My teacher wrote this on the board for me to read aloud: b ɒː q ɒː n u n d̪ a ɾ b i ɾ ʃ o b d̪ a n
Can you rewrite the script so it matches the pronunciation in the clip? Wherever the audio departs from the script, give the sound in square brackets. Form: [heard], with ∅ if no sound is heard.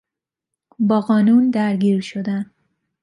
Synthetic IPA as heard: b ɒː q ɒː n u n d̪ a ɾ [ɡ] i ɾ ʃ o [∅] d̪ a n